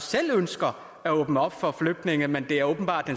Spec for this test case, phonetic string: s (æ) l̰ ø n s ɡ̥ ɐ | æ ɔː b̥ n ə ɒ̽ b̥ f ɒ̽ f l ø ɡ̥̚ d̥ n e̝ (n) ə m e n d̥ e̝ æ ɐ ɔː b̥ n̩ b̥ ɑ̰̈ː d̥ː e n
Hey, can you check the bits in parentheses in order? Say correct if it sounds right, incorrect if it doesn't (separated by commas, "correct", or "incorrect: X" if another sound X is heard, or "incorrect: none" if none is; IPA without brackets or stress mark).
incorrect: e, incorrect: ŋ